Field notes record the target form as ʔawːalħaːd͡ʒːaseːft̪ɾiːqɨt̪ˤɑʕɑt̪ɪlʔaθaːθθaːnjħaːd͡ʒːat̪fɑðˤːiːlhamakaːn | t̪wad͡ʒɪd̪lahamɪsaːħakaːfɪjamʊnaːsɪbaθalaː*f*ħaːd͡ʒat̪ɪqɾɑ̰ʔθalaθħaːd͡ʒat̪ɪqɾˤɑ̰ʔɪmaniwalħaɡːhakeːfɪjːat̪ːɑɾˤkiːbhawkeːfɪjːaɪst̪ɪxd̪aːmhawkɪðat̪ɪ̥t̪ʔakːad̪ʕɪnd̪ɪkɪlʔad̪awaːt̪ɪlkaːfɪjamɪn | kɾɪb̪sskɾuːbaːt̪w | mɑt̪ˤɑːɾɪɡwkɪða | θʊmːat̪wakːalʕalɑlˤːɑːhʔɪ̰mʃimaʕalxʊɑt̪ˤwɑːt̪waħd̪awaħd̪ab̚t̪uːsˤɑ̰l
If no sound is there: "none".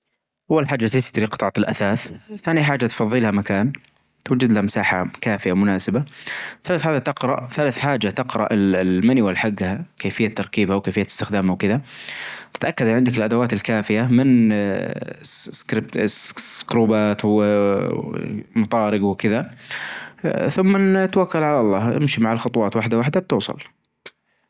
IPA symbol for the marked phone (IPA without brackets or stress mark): θ